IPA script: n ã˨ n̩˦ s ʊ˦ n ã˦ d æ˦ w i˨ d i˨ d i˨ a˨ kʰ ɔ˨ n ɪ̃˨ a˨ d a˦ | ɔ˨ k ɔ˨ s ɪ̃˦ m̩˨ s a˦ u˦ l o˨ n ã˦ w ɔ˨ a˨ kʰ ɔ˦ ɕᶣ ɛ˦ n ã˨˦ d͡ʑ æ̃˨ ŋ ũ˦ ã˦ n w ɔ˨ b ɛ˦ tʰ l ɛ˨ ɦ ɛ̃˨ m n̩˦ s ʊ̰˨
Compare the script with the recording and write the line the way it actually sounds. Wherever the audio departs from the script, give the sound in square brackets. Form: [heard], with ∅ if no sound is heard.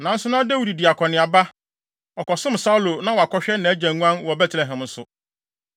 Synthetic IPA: n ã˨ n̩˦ s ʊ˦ n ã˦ d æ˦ w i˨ d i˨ d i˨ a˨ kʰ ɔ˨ n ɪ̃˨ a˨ [b] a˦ | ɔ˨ k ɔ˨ s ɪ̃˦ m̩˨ s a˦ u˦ l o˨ n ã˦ w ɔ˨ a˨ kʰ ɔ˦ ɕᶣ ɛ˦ n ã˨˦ d͡ʑ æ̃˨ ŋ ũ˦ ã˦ n w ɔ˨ b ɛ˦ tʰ l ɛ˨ ɦ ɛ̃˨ m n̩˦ s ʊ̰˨